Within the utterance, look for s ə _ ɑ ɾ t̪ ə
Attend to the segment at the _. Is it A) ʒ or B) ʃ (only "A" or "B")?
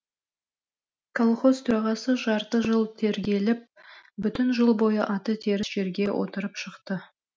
A